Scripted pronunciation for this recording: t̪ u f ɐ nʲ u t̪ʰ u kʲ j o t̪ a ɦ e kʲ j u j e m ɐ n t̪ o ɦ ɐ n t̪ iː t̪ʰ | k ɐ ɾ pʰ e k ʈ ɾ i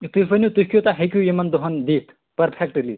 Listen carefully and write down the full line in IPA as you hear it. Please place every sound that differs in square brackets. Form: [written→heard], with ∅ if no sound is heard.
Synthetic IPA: t̪ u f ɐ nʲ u [t̪ʰ→t̪] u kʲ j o t̪ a ɦ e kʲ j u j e m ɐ n [t̪→d̪] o ɦ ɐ n [t̪→d̪] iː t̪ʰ | [k→p] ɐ ɾ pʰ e k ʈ [ɾ→l] i